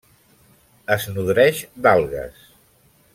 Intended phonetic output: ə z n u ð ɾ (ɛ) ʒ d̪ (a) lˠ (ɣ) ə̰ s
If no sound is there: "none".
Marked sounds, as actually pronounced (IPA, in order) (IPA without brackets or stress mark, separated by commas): ɛ, a, ɣ